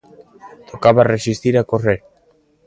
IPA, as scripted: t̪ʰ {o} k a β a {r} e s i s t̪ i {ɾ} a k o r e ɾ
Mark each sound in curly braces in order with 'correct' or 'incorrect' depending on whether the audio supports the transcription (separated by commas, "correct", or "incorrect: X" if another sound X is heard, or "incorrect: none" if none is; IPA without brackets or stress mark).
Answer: correct, correct, correct